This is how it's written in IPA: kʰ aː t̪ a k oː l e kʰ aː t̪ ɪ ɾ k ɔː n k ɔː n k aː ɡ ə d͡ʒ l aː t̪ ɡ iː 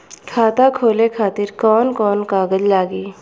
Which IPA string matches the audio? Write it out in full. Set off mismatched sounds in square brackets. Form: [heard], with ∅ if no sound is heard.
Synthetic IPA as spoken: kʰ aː t̪ a [kʰ] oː l e kʰ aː t̪ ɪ ɾ k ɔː n k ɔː n k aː ɡ ə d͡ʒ l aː [∅] ɡ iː